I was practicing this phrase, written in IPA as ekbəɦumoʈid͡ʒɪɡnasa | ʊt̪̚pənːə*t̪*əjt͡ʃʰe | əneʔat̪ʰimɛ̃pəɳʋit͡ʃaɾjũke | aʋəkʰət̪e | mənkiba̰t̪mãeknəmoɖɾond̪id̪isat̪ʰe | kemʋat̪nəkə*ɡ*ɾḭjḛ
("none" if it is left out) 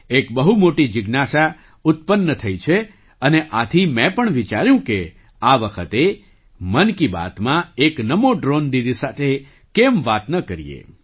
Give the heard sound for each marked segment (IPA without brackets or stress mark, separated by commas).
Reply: t̪ʰ, none